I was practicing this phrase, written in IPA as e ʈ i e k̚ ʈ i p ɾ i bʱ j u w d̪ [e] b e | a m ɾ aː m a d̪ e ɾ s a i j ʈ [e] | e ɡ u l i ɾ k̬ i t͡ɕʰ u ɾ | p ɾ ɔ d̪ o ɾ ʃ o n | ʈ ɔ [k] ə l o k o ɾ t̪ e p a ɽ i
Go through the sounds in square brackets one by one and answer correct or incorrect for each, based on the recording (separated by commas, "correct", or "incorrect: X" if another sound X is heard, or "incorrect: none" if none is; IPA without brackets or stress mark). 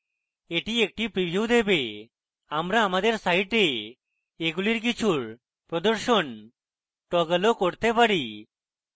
correct, correct, incorrect: ɡ